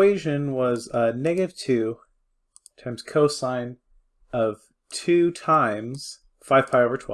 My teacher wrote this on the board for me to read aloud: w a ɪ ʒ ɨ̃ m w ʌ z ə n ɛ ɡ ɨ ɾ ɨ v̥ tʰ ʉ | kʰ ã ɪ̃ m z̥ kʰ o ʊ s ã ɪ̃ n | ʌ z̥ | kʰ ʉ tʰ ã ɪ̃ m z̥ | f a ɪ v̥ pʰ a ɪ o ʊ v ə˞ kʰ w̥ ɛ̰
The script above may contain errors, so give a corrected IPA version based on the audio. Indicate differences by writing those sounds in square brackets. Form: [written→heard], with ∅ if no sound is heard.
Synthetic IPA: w [a→e] ɪ ʒ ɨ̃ [m→n] w ʌ z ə n ɛ ɡ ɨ ɾ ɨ v̥ tʰ ʉ | [kʰ→tʰ] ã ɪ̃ m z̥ kʰ o ʊ s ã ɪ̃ n | ʌ [z̥→v̥] | [kʰ→tʰ] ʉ tʰ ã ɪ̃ m z̥ | f a ɪ v̥ pʰ a ɪ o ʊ v ə˞ [kʰ→tʰ] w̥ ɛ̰